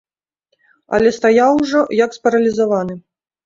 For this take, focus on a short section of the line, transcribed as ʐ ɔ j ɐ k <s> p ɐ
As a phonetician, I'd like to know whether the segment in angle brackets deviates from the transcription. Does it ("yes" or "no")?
no